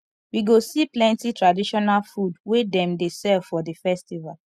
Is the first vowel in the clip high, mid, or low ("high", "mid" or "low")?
high